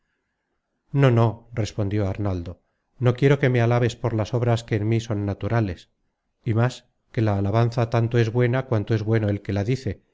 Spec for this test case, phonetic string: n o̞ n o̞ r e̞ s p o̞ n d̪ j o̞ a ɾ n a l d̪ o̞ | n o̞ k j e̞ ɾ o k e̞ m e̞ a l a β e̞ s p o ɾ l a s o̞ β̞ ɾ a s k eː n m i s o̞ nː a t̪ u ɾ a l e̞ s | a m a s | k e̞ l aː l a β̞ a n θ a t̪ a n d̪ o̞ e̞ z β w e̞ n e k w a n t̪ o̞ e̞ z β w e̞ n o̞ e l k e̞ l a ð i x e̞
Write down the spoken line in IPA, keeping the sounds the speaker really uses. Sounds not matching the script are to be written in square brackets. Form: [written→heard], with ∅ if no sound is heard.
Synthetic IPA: n o̞ n o̞ r e̞ s p o̞ n d̪ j o̞ a ɾ n a l d̪ o̞ | n o̞ k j e̞ ɾ o k e̞ m e̞ a l a β e̞ s p o ɾ l a s o̞ β̞ ɾ a s k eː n m i s o̞ nː a t̪ u ɾ a l e̞ s | [a→i] m a s | k e̞ l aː l a β̞ a n θ a t̪ a n [d̪→t̪] o̞ e̞ z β w e̞ n [e→a] k w a n t̪ o̞ e̞ z β w e̞ n o̞ e l k e̞ l a ð i [x→θ] e̞